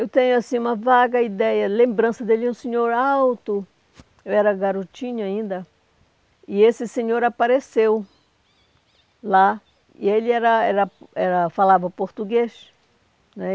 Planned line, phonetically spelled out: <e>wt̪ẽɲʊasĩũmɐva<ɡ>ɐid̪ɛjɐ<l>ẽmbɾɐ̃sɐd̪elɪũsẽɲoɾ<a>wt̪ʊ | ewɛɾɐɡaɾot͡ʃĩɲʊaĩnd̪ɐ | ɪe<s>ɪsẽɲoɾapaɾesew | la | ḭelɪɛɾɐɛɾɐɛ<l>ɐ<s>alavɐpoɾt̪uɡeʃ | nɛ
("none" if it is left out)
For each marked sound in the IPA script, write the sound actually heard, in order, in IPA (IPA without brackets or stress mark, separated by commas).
e, ɡ, l, a, s, ɾ, f